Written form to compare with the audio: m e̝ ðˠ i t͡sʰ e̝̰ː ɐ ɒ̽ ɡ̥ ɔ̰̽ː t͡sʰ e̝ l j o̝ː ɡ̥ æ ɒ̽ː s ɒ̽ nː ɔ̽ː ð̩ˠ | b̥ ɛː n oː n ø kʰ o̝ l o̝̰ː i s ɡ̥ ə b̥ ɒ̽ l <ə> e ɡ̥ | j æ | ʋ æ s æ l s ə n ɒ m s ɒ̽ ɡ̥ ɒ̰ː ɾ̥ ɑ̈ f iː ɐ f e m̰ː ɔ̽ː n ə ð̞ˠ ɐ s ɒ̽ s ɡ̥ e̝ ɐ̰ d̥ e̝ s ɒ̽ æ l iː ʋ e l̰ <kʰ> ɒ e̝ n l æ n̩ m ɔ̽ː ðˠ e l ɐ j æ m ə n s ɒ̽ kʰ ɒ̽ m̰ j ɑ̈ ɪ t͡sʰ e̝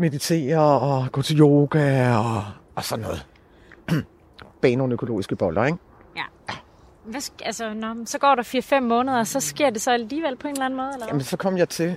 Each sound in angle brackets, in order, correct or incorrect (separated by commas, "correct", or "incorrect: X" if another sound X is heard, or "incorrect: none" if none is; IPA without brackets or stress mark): incorrect: ɐ, incorrect: pʰ